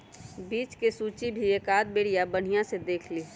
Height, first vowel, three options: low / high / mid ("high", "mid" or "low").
high